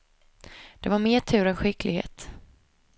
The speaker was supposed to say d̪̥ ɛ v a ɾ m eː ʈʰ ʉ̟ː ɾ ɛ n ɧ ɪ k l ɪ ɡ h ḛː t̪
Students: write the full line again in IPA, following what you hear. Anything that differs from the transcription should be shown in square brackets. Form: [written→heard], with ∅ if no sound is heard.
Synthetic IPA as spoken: d̪̥ ɛ v a ɾ m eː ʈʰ ʉ̟ː ɾ ɛ n ɧ ɪ k l ɪ ɡ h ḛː t̪